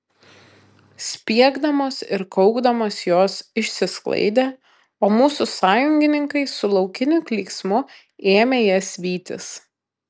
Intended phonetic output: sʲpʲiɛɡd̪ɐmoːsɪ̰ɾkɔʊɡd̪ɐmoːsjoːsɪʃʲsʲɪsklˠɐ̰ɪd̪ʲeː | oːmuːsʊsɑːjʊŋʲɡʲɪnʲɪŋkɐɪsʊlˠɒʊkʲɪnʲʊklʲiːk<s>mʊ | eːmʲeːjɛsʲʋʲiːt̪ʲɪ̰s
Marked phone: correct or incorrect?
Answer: correct